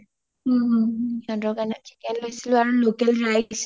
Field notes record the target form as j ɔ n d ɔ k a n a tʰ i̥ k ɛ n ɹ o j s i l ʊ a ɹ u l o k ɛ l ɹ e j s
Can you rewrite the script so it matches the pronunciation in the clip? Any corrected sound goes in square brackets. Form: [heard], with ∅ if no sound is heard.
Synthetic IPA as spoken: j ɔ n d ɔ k a n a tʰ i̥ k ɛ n [l] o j s i l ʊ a ɹ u l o k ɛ l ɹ [a] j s